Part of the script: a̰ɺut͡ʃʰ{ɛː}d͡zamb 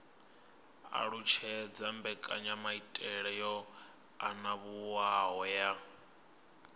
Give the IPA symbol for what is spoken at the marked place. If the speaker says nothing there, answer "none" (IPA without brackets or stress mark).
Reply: ɛ